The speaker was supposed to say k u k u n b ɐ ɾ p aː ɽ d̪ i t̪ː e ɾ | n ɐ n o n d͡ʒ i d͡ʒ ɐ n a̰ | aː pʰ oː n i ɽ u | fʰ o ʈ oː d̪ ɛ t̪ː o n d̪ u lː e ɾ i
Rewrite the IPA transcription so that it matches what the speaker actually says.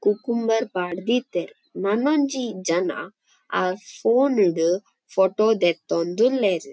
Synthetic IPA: k u k u m b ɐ ɾ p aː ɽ d̪ i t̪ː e ɾ | n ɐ n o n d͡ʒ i d͡ʒ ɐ n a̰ | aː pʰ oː n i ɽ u | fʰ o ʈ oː d̪ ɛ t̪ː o n d̪ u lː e ɾ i

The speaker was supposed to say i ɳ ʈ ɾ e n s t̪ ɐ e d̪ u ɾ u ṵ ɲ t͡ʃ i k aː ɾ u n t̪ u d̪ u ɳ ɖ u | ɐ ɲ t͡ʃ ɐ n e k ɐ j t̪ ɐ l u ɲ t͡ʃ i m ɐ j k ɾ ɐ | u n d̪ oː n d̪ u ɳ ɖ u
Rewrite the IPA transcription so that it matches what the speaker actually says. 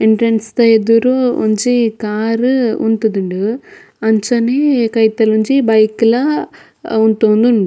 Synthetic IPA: i ɳ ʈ ɾ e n s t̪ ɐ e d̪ u ɾ u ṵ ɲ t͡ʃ i k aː ɾ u n t̪ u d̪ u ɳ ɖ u | ɐ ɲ t͡ʃ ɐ n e k ɐ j t̪ ɐ l u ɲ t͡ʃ i b ɐ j k l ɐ | u n t̪ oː n d̪ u ɳ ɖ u

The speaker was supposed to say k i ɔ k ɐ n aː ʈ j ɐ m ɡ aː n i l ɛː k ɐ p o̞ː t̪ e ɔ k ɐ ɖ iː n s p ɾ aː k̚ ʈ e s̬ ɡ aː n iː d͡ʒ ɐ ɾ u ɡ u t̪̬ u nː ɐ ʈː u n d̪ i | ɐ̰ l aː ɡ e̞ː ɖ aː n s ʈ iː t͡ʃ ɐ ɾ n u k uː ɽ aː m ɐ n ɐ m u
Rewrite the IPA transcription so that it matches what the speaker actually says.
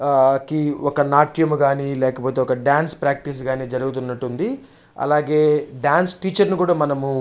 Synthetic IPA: k i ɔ k ɐ n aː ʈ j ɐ m ɡ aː n i l ɛː k ɐ p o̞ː t̪ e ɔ k ɐ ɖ aː n s p ɾ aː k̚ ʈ i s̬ ɡ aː n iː d͡ʒ ɐ ɾ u ɡ u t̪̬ u nː ɐ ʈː u n d̪ i | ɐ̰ l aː ɡ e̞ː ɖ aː n s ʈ iː t͡ʃ ɐ ɾ n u k uː ɽ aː m ɐ n ɐ m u

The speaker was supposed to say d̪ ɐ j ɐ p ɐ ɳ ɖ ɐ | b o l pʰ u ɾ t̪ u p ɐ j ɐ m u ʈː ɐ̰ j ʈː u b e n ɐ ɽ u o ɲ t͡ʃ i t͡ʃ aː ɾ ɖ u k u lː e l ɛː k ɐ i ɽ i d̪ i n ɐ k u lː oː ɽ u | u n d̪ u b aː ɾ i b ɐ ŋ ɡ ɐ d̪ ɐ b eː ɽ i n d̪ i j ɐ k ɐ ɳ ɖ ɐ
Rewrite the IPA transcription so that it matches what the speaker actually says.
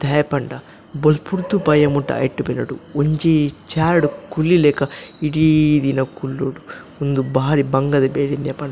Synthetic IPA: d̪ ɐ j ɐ p ɐ ɳ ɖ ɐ | b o l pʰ u ɾ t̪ u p ɐ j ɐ m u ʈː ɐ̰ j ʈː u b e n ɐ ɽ u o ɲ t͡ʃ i t͡ʃ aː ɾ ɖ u k u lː i l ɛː k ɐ i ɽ i d̪ i n ɐ k u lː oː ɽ u | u n d̪ u b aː ɾ i b ɐ ŋ ɡ ɐ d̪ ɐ b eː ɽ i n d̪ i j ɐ p ɐ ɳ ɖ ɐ

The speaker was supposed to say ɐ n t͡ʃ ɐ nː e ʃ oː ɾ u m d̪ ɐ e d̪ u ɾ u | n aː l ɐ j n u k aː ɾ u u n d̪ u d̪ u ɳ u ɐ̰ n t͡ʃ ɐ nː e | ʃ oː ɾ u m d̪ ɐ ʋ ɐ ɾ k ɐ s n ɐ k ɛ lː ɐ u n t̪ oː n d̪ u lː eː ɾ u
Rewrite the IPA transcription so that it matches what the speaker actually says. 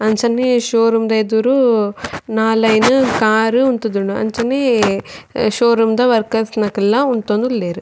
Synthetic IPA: ɐ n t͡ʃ ɐ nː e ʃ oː ɾ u m d̪ ɐ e d̪ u ɾ u | n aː l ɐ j n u k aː ɾ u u n t̪ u d̪ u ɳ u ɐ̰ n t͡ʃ ɐ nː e | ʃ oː ɾ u m d̪ ɐ ʋ ɐ ɾ k ɐ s n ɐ k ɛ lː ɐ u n t̪ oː n d̪ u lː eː ɾ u

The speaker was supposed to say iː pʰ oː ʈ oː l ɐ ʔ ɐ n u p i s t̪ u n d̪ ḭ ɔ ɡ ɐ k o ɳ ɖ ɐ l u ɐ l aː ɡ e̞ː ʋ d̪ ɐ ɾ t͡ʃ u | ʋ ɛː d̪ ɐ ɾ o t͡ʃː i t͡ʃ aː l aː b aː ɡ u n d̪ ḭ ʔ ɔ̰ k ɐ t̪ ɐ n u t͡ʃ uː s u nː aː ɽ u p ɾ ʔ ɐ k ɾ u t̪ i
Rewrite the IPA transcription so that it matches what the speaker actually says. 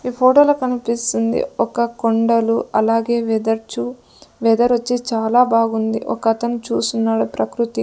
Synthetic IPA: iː pʰ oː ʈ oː l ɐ k ɐ n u p i s t̪ u n d̪ ḭ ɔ k ɐ k o ɳ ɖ ɐ l u ɐ l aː ɡ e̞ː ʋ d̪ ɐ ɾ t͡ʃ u | ʋ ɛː d̪ ɐ ɾ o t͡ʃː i t͡ʃ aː l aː b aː ɡ u n d̪ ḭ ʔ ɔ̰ k ɐ t̪ ɐ n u t͡ʃ uː s u nː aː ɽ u p ɾ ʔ ɐ k ɾ u t̪ i

